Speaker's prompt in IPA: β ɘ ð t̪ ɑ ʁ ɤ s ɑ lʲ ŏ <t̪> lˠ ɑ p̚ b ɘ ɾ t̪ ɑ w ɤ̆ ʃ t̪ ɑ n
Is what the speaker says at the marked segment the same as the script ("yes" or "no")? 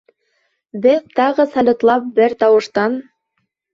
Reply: yes